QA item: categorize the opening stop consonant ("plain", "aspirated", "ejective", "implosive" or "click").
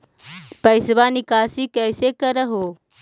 plain